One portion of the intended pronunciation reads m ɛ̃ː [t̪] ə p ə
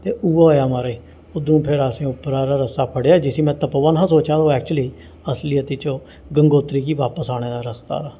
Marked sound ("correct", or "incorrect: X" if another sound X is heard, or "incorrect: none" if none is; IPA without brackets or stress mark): correct